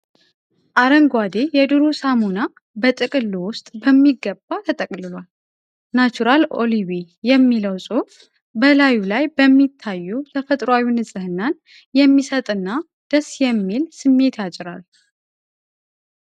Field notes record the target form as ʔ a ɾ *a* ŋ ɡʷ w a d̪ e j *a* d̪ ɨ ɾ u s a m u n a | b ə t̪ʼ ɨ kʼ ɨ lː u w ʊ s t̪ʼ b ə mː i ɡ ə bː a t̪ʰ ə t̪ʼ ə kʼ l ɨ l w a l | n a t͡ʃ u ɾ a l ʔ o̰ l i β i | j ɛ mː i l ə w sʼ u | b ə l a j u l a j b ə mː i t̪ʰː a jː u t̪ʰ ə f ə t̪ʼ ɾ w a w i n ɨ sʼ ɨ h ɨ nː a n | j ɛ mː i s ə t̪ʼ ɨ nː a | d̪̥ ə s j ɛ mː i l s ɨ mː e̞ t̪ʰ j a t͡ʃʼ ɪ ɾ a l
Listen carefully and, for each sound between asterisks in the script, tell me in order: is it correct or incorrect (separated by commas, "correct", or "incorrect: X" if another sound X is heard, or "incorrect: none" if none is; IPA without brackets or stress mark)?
incorrect: ə, incorrect: ɛ